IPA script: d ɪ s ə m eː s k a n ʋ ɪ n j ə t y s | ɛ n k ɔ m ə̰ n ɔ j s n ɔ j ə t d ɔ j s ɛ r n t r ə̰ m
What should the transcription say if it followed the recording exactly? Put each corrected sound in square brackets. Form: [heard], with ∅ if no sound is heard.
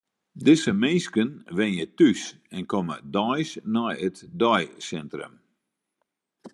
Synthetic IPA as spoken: d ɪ s ə m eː s k [ə] n ʋ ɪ n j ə t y s | ɛ n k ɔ m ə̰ [d] ɔ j s n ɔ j ə t d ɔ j s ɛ [∅] n t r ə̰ m